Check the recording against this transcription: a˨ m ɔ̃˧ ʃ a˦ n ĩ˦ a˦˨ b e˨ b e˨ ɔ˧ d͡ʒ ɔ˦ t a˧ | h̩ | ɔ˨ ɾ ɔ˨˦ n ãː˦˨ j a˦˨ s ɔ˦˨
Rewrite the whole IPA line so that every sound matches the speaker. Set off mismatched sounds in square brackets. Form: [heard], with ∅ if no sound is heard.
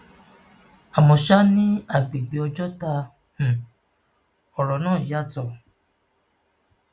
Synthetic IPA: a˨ m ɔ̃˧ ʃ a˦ n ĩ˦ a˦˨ [ɡ͡b] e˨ [ɡ͡b] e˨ ɔ˧ d͡ʒ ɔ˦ t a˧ | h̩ | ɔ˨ ɾ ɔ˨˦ n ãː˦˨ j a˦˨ [t] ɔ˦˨